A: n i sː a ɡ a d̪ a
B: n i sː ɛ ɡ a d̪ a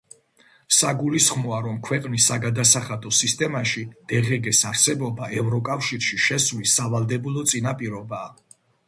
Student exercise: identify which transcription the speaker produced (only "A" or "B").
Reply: A